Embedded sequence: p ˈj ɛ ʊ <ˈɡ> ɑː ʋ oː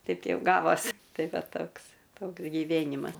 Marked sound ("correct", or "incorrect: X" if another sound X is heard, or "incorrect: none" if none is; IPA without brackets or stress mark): correct